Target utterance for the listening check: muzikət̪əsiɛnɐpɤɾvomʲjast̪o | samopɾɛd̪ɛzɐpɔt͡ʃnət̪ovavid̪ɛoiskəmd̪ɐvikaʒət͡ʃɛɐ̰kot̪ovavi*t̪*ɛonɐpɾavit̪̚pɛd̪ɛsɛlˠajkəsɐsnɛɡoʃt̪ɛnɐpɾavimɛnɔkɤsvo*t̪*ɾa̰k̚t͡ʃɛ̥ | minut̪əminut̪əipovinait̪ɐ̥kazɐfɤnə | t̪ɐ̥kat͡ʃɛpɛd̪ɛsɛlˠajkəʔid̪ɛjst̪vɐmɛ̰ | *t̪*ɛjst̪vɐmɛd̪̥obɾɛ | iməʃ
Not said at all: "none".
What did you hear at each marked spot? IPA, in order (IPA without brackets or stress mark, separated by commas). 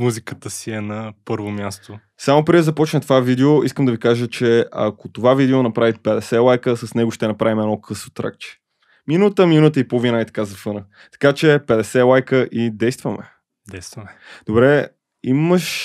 d̪, t̪, d̪